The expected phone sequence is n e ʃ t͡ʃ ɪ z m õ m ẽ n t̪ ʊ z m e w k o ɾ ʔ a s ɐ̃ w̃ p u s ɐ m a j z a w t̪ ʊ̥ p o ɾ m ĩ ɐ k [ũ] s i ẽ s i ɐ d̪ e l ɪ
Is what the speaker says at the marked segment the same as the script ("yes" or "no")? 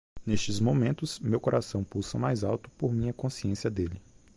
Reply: no